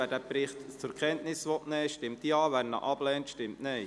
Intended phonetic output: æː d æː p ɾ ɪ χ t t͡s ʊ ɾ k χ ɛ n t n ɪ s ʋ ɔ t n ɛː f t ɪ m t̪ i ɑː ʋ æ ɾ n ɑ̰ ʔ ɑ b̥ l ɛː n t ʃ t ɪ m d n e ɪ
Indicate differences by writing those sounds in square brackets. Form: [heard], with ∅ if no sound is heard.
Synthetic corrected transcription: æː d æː p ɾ ɪ χ t t͡s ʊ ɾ k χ ɛ n t n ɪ s ʋ ɔ t n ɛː [ʃ] t ɪ m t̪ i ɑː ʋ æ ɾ n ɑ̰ ʔ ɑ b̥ l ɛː n t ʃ t ɪ m [t] n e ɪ